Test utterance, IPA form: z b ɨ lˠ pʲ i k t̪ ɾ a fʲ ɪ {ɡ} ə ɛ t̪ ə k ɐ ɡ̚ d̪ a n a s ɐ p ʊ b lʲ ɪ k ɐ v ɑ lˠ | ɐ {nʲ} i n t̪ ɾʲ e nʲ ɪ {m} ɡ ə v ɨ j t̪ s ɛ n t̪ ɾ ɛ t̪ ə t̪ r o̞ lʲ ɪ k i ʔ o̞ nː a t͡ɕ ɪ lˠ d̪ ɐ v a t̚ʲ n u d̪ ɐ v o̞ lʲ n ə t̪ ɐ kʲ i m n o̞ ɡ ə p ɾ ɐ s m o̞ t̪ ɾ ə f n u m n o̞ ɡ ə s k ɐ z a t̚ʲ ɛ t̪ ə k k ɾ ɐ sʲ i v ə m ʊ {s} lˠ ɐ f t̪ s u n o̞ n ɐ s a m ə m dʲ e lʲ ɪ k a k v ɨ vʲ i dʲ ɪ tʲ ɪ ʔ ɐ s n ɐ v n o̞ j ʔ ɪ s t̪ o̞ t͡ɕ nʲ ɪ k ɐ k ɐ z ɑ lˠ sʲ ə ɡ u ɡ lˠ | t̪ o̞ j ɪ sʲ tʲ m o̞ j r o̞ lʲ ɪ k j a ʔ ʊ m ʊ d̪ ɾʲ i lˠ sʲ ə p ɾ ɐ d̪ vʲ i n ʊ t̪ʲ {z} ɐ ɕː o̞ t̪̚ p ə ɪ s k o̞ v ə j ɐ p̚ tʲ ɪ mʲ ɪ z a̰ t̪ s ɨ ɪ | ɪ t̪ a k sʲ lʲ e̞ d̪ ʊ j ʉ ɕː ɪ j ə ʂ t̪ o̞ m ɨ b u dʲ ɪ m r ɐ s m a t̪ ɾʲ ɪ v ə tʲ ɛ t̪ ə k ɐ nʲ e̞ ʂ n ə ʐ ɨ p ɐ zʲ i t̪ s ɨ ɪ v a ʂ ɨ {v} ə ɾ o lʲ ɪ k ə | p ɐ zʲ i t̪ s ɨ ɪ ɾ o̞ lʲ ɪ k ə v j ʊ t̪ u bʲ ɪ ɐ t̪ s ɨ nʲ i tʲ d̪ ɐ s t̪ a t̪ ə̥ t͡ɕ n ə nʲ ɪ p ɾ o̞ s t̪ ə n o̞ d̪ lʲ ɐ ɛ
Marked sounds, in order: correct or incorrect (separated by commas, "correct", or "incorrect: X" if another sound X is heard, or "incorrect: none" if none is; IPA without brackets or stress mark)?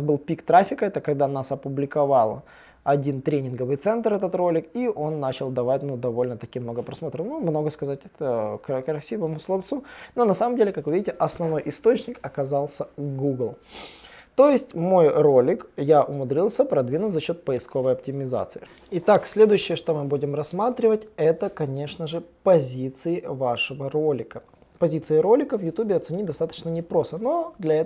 incorrect: k, incorrect: dʲ, incorrect: n, correct, correct, correct